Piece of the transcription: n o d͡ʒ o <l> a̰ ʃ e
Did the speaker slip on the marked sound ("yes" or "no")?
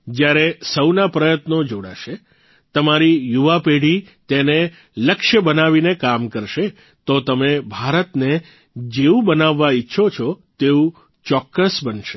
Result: yes